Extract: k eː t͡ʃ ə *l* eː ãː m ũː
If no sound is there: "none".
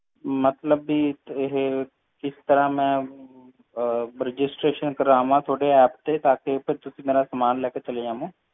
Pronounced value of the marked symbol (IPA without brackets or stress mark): l